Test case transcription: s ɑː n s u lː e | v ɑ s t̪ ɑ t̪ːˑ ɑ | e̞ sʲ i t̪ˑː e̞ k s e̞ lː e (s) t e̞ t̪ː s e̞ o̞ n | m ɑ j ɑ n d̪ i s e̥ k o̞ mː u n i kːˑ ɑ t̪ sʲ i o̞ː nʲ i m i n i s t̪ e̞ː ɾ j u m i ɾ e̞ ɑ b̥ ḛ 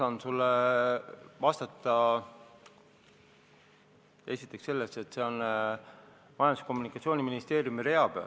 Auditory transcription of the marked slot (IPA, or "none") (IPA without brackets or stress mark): s